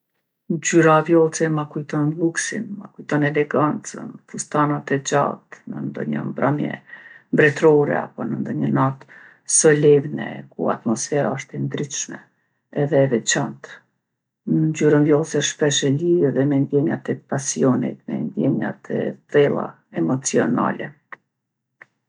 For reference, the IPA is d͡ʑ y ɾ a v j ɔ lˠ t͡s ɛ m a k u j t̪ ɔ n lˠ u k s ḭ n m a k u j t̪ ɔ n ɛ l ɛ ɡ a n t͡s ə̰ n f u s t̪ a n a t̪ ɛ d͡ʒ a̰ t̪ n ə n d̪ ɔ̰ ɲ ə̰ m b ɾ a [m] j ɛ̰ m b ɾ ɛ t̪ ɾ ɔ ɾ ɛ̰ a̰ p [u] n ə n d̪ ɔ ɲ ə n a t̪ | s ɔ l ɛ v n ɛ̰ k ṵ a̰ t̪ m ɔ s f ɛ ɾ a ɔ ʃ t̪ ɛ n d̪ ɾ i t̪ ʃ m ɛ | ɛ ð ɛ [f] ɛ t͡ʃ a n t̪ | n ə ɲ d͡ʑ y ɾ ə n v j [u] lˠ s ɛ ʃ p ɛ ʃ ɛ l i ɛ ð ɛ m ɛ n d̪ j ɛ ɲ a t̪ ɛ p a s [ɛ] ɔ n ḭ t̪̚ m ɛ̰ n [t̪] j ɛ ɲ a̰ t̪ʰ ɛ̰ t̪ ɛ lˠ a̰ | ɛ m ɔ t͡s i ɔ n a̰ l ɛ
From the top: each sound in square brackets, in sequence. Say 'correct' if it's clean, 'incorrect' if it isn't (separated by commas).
correct, incorrect, incorrect, incorrect, incorrect, incorrect